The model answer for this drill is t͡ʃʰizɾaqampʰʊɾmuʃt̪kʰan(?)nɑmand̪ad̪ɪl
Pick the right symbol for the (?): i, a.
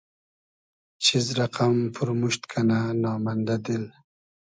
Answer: a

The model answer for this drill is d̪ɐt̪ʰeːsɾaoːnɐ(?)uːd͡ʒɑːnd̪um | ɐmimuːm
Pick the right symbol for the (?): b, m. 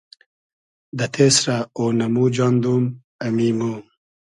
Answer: m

